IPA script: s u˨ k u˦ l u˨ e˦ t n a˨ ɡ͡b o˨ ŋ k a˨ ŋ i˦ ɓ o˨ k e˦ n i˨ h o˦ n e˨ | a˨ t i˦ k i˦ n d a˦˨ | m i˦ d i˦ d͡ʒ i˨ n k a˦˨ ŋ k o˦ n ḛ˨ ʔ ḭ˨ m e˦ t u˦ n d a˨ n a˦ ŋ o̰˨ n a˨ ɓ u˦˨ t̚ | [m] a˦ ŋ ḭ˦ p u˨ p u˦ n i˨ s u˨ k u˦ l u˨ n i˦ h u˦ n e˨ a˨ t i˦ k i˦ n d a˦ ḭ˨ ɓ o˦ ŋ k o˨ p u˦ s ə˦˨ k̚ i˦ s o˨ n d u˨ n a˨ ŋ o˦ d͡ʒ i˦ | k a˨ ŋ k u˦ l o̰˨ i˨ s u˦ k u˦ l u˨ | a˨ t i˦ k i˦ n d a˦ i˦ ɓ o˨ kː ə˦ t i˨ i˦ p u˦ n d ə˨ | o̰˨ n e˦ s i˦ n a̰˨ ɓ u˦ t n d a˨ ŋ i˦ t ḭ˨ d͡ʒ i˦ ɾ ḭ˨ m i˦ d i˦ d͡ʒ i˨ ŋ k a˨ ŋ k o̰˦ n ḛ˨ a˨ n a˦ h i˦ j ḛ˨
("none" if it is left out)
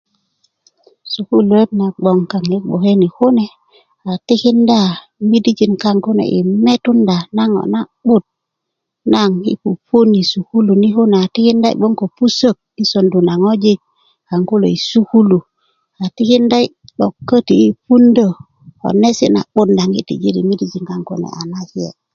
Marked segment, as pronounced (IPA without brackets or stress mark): n